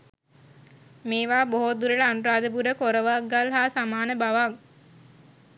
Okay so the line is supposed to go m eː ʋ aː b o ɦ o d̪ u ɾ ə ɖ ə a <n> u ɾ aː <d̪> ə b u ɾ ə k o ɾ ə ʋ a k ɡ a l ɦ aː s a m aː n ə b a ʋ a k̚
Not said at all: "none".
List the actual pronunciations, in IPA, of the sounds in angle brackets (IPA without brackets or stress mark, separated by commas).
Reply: n, d̪